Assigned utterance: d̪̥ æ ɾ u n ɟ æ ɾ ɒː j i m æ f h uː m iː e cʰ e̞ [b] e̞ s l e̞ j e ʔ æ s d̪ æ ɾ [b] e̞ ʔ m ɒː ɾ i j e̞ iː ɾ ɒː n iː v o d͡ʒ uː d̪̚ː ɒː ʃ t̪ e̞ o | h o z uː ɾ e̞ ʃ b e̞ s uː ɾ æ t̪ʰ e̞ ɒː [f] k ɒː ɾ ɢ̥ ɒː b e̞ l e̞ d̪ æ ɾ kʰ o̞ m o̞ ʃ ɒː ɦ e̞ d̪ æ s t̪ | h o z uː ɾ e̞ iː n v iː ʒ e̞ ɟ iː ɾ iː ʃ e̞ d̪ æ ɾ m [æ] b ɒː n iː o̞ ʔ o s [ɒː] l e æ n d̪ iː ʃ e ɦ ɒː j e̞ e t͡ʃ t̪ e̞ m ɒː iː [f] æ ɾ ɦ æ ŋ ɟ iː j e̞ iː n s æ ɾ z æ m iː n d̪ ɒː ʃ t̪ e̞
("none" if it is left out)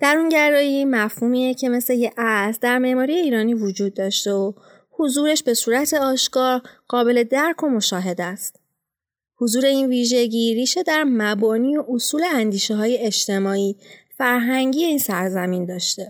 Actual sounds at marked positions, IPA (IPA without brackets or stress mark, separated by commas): m, m, ʃ, æ, uː, f